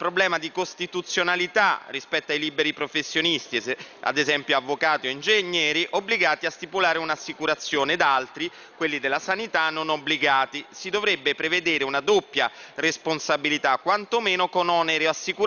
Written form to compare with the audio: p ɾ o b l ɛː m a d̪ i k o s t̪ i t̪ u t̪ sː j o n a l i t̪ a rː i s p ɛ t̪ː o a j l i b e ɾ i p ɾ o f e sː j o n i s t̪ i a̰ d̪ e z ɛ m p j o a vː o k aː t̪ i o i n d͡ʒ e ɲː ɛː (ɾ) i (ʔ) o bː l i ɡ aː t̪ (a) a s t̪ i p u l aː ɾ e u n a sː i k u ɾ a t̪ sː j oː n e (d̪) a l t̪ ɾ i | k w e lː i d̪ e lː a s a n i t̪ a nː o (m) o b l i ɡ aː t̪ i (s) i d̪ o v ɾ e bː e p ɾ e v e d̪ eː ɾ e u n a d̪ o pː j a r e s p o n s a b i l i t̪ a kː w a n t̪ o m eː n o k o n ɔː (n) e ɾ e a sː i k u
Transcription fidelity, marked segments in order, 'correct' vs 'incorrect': correct, correct, incorrect: i, correct, incorrect: n, correct, correct

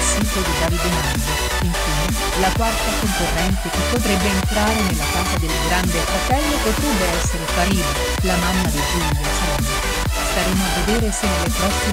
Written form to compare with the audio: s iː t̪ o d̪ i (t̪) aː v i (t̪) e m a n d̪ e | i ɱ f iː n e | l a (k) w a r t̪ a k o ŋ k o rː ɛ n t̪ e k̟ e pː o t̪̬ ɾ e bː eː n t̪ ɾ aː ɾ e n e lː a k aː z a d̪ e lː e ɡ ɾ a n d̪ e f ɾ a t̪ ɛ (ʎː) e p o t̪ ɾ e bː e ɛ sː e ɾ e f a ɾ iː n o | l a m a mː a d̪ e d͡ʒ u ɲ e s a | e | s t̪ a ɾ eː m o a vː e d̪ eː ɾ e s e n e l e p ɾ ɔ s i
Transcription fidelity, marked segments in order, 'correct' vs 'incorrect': incorrect: d̪, incorrect: d̪, correct, incorrect: lː

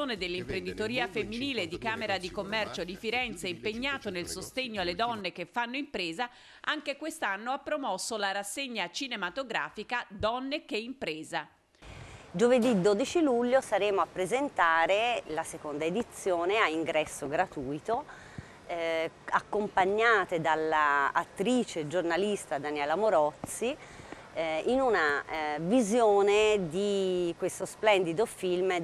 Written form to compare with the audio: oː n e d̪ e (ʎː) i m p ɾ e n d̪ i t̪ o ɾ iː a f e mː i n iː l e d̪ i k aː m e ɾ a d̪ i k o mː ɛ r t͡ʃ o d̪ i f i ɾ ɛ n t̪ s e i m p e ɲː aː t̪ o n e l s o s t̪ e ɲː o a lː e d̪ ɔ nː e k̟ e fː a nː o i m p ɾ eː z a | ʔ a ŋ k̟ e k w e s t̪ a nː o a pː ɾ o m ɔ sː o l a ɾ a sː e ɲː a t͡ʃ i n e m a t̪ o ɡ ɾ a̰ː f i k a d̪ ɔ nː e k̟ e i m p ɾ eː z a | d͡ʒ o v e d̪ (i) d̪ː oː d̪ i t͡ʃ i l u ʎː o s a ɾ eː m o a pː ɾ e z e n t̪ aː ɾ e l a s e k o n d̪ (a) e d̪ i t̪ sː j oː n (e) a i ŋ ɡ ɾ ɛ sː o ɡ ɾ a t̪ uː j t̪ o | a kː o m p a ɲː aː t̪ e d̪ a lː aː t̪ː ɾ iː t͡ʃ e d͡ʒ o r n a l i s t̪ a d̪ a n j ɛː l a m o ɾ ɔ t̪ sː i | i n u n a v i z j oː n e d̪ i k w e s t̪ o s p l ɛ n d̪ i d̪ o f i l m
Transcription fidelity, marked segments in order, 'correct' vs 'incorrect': incorrect: lː, correct, correct, correct

